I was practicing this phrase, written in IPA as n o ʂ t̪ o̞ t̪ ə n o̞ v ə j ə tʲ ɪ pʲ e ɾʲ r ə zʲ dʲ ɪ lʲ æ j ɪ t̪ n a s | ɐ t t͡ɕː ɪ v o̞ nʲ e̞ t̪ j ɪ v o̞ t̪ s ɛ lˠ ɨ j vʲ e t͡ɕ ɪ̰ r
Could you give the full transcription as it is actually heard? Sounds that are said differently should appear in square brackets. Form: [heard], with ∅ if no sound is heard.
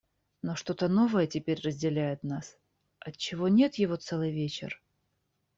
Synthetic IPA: n o ʂ t̪ o̞ t̪ ə n o̞ v ə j ə tʲ ɪ pʲ e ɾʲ r ə zʲ dʲ ɪ lʲ æ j ɪ t̪ n a s | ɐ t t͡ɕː ɪ v o̞ nʲ e̞ t̪ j ɪ v o̞ t̪ s ɛ lˠ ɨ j vʲ e t͡ɕ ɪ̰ r